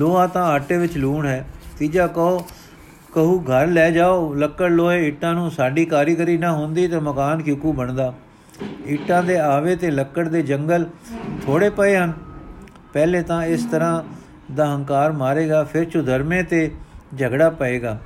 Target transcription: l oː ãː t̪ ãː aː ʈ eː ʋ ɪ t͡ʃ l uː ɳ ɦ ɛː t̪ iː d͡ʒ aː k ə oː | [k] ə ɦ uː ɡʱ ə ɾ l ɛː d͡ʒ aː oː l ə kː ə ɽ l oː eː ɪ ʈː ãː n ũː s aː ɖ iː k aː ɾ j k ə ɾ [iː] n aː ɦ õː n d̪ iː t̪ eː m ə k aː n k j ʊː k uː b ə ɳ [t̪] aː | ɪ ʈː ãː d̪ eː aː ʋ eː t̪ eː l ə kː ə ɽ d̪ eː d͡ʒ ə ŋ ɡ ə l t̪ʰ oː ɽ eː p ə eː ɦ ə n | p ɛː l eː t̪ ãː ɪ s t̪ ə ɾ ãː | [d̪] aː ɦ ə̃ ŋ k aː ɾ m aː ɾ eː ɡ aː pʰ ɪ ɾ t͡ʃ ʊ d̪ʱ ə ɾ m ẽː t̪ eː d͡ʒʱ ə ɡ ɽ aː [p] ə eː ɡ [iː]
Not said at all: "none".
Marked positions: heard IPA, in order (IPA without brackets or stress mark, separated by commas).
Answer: k, iː, d̪, d̪, p, aː